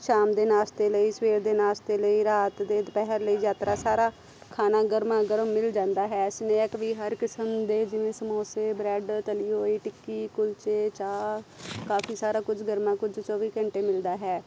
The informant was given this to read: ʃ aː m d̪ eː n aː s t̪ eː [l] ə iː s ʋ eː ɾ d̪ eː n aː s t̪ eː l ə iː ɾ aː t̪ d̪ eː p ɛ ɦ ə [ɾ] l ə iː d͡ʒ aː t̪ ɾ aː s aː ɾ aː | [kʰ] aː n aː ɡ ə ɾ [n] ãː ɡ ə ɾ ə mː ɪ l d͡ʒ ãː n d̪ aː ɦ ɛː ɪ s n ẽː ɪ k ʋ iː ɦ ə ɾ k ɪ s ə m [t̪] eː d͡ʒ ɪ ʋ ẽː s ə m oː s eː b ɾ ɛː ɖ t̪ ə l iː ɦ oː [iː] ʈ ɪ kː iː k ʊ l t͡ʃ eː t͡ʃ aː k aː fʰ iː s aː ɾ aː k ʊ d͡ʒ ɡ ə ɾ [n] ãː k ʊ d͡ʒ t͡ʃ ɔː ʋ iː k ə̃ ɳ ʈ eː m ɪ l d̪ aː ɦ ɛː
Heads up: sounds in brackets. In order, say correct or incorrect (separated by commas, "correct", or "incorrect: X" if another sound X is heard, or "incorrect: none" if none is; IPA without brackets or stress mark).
correct, correct, correct, incorrect: m, incorrect: d̪, correct, incorrect: m